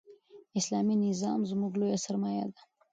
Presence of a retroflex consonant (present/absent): absent